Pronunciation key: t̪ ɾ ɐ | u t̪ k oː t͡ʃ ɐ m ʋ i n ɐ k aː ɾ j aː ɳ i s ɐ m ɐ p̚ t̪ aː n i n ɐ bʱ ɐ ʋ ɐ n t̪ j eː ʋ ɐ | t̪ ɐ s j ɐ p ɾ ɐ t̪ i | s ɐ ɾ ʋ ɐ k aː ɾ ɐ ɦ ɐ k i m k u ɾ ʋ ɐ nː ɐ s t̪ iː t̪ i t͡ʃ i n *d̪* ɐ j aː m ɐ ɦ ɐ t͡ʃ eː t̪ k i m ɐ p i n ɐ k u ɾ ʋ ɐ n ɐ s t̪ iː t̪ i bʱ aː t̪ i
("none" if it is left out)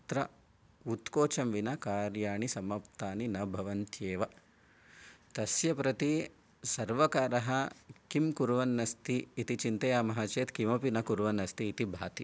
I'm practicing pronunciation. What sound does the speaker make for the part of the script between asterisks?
t̪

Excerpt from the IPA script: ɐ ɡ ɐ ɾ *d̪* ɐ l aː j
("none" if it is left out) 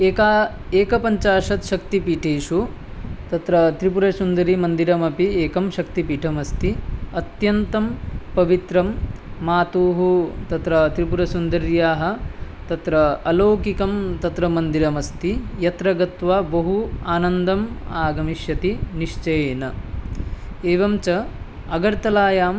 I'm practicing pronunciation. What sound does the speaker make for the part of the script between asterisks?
t̪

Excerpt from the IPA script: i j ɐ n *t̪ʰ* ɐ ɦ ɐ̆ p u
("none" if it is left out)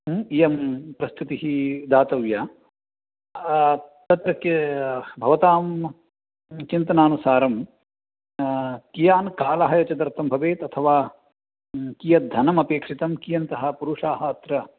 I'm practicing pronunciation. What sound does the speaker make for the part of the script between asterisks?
t̪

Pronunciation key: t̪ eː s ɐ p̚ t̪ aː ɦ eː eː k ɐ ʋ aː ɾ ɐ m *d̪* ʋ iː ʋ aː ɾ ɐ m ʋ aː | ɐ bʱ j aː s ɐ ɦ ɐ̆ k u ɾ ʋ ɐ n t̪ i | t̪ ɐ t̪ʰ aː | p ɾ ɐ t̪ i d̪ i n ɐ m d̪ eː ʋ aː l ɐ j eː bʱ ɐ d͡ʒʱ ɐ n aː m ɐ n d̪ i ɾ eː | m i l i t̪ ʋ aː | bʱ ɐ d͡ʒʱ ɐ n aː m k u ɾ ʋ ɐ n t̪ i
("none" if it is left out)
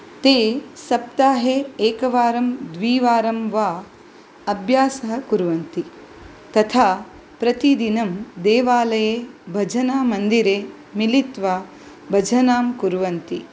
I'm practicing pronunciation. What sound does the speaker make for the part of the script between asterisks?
d̪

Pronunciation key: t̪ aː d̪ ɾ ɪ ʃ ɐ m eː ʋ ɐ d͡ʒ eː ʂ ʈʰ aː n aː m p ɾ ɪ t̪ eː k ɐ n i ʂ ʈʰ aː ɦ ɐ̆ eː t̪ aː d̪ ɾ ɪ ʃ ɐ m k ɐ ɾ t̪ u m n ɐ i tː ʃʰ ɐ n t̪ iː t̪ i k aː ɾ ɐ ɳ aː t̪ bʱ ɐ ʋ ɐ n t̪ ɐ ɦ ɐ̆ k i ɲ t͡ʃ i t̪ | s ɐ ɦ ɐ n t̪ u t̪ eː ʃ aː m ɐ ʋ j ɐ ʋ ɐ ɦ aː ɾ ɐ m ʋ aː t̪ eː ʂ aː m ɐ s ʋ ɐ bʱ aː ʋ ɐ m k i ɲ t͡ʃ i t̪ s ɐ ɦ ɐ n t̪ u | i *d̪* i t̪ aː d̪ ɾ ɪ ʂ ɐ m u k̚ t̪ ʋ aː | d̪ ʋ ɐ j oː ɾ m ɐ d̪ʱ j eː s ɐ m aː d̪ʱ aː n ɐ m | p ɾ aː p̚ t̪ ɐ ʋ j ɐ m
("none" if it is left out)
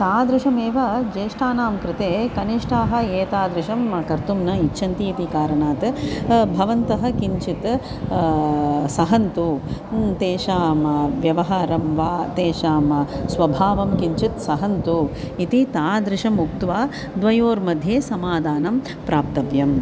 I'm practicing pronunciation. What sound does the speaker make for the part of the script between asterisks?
t̪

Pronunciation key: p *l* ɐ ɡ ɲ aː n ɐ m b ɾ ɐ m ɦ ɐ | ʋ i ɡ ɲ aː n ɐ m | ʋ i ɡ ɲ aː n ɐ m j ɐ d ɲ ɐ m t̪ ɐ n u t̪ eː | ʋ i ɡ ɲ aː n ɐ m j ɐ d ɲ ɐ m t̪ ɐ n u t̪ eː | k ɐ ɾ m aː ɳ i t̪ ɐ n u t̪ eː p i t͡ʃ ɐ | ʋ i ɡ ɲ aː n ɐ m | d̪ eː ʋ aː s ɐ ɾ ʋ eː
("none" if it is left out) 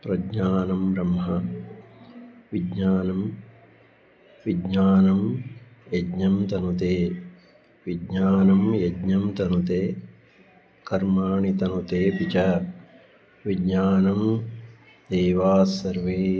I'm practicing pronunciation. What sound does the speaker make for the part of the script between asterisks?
ɾ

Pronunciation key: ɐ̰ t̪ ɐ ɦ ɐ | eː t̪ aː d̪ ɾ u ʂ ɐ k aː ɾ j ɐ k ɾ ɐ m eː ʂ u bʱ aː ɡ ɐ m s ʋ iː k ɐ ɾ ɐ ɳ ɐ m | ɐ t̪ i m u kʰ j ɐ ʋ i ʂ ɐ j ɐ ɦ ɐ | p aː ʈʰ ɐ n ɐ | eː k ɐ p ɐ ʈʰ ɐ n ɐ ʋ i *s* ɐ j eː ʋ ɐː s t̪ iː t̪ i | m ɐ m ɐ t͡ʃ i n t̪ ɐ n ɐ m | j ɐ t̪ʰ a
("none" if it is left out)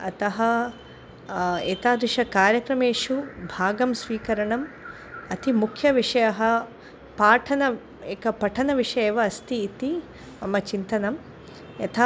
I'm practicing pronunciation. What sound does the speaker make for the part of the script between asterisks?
ʂ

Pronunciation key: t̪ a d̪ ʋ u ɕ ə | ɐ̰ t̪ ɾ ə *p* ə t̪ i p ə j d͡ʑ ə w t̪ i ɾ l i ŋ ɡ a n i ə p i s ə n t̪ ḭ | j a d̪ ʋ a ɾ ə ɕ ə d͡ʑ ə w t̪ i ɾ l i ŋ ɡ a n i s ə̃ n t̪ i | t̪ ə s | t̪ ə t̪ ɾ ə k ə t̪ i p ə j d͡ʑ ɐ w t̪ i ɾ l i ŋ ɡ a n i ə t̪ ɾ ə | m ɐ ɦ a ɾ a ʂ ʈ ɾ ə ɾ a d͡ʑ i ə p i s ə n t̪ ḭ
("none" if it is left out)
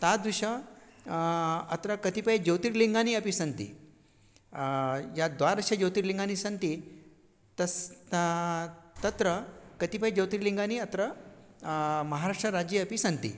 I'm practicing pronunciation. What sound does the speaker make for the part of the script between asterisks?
k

